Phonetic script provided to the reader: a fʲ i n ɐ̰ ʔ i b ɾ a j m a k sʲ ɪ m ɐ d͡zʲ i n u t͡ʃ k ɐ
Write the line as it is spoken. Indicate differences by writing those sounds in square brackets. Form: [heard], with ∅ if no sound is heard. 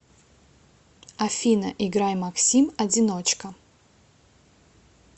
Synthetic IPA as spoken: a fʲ i n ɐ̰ ʔ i [ɡ] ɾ a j m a k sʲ [i] m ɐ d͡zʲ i n [o] t͡ʃ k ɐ

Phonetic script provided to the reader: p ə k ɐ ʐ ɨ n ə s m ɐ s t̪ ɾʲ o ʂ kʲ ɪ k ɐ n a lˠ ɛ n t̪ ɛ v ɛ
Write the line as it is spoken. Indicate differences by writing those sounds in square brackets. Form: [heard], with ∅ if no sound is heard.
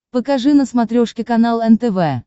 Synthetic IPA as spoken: p ə k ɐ ʐ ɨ n ə s m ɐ [∅] t̪ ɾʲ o ʂ kʲ ɪ k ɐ n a lˠ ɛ n t̪ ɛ v ɛ

